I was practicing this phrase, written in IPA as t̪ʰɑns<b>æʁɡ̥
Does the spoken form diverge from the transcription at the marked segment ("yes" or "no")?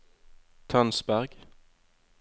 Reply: no